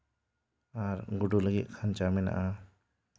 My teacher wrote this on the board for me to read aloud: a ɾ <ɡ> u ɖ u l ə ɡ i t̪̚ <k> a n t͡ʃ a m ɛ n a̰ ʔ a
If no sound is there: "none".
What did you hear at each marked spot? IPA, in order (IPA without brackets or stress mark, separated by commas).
ɡ, kʰ